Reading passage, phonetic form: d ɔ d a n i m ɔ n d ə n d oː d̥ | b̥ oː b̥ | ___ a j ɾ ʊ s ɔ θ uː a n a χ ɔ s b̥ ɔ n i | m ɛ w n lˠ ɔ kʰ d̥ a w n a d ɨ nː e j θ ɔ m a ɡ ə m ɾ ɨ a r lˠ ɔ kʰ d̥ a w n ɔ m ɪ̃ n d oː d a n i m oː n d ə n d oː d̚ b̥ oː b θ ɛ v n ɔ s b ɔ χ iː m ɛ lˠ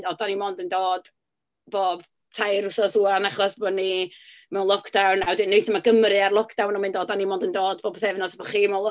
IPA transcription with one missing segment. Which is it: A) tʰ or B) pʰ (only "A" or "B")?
A